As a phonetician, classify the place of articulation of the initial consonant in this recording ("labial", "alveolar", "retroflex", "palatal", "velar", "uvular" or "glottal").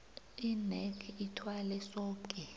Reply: alveolar